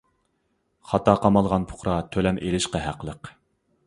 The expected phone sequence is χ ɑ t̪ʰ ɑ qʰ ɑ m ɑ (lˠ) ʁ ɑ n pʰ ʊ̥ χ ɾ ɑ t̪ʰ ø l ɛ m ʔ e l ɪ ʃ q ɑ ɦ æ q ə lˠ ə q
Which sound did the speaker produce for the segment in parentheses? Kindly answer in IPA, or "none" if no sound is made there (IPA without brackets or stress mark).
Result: lˠ